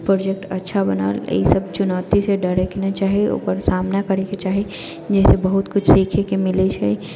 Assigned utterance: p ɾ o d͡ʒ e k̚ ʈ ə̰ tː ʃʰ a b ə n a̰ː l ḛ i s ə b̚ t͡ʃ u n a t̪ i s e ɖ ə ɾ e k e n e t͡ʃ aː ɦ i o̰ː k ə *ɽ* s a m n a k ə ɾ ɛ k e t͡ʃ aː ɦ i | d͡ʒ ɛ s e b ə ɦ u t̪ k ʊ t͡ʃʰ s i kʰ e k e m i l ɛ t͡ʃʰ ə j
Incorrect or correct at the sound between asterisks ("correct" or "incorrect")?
incorrect